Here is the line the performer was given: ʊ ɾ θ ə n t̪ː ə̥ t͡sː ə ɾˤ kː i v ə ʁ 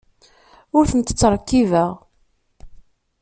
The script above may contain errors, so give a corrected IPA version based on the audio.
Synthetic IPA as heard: ʊ ɾ θ ə n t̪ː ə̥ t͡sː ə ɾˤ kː i v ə ʁ

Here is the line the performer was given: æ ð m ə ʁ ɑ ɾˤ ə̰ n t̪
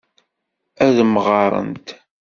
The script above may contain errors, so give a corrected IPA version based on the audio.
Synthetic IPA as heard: æ ð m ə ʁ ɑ ɾˤ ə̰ n t̪

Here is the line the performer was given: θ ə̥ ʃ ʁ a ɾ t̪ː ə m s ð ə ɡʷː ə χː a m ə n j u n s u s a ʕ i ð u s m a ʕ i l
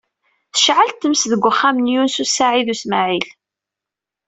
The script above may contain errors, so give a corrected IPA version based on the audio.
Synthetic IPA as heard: θ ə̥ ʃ ʕ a l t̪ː ə m s ð ə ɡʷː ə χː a m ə n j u n s u s a ʕ i ð u s m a ʕ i l

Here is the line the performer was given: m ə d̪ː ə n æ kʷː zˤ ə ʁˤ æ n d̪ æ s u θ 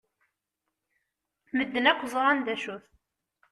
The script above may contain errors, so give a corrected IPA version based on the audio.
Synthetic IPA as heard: m ə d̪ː ə n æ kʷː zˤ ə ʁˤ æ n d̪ æ ʃ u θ

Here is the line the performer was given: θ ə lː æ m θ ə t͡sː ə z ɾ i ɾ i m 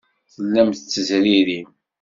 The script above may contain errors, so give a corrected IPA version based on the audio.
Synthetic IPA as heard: θ ə lː æ m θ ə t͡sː ə z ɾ i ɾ i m

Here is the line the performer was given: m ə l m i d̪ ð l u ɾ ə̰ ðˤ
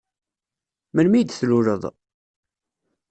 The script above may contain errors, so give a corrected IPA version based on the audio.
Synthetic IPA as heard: m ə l m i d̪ θ l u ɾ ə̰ ðˤ

